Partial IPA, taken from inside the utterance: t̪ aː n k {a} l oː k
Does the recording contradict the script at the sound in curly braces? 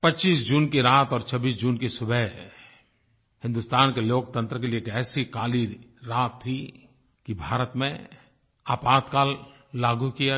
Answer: yes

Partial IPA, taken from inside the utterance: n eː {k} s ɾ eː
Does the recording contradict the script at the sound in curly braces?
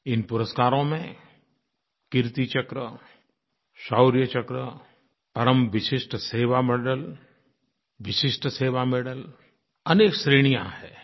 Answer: no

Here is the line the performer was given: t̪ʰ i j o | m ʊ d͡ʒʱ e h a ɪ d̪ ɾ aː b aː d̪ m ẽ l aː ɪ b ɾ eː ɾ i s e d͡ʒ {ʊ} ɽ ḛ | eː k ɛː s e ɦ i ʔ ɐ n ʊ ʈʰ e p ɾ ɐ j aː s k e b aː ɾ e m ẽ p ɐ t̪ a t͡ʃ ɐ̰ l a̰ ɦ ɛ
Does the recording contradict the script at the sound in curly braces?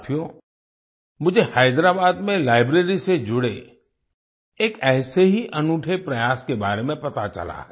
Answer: no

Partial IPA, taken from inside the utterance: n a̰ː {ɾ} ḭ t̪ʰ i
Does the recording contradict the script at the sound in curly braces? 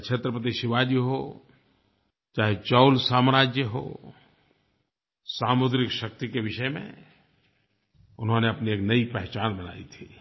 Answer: yes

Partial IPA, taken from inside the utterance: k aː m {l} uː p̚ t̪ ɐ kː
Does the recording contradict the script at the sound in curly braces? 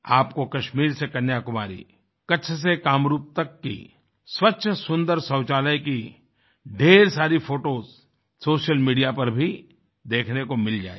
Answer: yes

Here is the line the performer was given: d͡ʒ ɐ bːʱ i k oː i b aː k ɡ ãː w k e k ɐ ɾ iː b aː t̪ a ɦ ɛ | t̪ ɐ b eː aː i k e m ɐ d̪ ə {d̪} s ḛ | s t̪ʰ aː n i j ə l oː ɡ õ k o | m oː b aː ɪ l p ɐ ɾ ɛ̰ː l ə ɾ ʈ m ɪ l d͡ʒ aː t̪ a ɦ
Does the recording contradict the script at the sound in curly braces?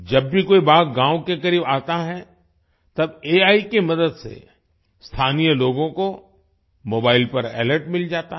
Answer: no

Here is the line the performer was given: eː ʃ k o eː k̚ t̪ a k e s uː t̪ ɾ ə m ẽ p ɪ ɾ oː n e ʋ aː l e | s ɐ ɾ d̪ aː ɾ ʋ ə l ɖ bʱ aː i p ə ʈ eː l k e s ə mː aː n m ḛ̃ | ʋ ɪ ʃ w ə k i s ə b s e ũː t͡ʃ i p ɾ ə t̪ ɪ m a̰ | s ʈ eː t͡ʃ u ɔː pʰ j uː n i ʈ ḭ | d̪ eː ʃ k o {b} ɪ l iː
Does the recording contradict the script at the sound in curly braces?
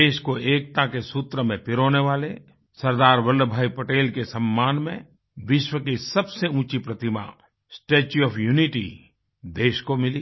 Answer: yes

